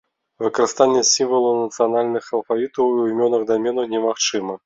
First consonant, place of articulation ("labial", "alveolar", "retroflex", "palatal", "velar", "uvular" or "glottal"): labial